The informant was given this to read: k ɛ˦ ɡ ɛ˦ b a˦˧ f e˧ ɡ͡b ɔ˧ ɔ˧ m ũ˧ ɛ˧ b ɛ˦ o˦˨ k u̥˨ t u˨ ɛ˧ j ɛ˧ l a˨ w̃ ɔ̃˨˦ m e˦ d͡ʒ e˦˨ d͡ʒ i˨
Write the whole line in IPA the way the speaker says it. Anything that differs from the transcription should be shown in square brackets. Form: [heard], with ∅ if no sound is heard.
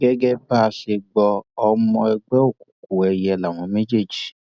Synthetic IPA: [ɡ] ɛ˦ ɡ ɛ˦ b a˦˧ [ʃ] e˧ ɡ͡b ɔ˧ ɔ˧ m [ɔ̃˧] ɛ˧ [ɡ͡b] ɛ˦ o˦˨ k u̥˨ [k] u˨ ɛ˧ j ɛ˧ l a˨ w̃ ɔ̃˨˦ m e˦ d͡ʒ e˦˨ d͡ʒ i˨